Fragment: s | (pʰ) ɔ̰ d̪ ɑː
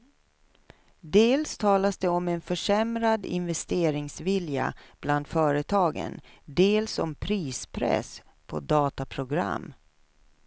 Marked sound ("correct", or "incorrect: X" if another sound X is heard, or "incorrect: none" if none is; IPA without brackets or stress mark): correct